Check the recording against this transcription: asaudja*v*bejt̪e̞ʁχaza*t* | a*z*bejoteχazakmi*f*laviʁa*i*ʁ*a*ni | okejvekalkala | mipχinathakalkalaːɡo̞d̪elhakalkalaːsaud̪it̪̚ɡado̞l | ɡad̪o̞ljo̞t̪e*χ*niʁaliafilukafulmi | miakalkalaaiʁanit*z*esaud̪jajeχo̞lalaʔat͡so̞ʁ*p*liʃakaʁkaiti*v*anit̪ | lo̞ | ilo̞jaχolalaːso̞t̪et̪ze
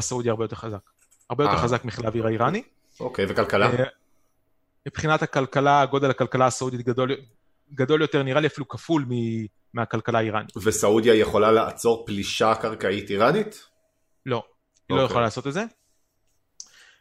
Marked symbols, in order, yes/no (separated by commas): no, no, no, no, yes, yes, no, no, yes, no